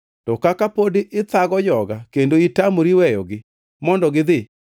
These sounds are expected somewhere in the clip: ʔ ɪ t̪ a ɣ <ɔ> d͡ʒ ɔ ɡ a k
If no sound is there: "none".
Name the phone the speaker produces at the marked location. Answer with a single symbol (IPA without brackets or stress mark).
ɔ